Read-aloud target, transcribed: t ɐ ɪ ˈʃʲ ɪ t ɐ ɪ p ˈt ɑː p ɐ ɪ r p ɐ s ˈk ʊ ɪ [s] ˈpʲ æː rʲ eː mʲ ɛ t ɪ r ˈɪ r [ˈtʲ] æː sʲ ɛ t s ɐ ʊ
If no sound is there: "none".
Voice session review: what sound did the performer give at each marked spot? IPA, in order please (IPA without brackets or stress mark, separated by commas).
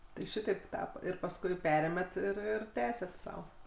none, tʲ